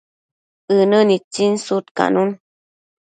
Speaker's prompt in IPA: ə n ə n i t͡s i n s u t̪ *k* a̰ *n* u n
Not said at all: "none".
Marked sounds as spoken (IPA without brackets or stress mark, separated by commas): k, n